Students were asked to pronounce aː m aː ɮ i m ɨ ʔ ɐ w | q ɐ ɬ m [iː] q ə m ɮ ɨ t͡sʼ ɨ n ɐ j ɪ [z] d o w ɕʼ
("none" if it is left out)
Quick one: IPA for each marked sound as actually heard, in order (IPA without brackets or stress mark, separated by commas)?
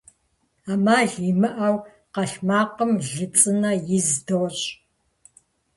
aː, z